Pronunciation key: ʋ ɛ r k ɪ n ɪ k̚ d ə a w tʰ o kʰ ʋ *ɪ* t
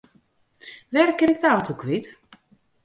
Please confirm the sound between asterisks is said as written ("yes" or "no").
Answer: no